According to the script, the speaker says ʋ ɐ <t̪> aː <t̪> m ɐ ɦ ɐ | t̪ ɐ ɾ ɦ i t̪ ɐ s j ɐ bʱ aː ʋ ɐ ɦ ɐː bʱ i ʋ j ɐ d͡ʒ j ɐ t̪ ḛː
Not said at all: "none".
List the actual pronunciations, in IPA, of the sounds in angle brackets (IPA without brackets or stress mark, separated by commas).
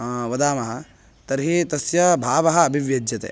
d̪, none